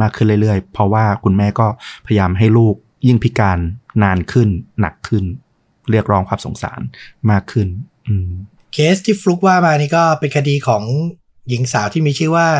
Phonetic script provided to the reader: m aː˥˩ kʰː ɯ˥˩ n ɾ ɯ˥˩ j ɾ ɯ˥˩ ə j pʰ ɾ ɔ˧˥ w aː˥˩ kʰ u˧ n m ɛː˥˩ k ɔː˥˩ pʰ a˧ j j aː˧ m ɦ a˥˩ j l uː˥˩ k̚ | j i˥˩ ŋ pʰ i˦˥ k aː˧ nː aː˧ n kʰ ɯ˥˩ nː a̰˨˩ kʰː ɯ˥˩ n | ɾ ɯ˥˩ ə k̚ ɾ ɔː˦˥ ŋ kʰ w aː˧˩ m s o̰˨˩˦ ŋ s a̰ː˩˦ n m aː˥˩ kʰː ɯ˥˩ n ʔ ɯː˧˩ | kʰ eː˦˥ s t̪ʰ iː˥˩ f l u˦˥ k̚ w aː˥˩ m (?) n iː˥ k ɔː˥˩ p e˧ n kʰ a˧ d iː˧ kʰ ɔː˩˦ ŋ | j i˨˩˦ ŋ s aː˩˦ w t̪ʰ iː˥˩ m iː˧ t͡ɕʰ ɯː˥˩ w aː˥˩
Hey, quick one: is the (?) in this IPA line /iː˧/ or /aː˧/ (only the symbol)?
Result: aː˧